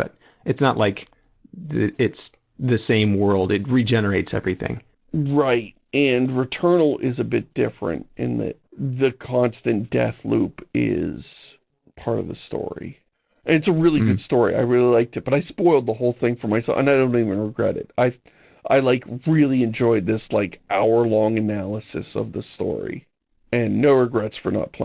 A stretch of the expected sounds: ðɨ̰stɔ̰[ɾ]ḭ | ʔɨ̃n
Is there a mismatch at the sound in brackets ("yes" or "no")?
yes